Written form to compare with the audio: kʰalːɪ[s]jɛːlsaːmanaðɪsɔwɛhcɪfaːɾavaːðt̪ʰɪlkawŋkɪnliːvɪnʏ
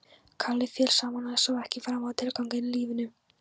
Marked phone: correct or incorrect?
incorrect: f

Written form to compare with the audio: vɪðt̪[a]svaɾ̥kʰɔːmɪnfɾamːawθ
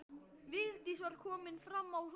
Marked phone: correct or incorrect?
incorrect: i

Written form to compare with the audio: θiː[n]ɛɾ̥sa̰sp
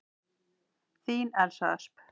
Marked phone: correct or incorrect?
correct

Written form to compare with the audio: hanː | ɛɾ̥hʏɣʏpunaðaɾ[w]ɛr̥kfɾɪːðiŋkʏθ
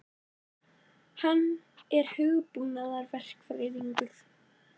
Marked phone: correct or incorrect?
incorrect: v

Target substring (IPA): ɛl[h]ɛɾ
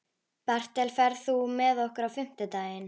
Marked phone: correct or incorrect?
incorrect: f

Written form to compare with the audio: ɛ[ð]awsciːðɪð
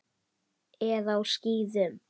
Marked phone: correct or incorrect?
correct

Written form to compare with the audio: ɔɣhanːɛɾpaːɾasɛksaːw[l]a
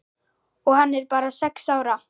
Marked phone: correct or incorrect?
incorrect: ɾ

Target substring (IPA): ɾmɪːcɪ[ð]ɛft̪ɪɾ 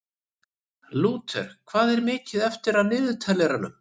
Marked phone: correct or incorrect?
correct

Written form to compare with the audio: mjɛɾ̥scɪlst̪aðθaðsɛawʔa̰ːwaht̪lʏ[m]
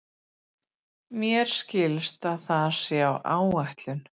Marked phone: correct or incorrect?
incorrect: n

